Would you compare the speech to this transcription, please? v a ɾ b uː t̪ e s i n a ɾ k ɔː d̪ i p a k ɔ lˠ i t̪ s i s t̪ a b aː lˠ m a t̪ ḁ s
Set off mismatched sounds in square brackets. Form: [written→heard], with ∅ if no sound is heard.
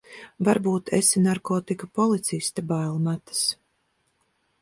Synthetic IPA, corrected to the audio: v a ɾ b uː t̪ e s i n a ɾ k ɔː [d̪→t̪] i [p→k] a [k→p] ɔ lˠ i t̪ s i s t̪ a b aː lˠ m a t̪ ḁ s

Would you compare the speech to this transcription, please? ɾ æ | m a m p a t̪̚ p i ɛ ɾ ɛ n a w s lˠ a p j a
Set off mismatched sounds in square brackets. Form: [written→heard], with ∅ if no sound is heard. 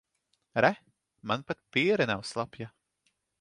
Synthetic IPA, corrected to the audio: ɾ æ | m a [m→n] p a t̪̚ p i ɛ ɾ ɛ n a w s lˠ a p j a

